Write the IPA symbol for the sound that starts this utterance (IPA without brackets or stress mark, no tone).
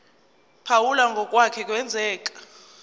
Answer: pʰ